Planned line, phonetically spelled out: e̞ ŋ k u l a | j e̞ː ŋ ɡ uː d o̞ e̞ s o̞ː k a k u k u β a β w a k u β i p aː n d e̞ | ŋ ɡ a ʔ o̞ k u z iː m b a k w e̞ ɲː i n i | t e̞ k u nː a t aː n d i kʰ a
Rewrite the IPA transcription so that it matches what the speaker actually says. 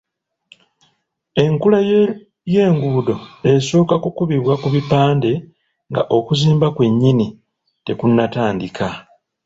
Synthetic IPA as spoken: e̞ ŋ k u l a | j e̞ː ŋ ɡ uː d o̞ e̞ s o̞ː k a k u k u β i β w a k u β i p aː n d e̞ | ŋ ɡ a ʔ o̞ k u z iː m b a k w e̞ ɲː i n i | t e̞ k u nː a t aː n d i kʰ a